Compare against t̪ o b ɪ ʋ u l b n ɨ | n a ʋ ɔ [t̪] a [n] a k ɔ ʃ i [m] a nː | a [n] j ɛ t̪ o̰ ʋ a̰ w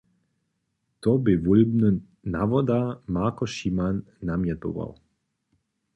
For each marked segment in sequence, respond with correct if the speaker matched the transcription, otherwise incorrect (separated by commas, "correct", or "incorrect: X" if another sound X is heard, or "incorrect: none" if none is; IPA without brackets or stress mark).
incorrect: d̪, incorrect: m, correct, incorrect: m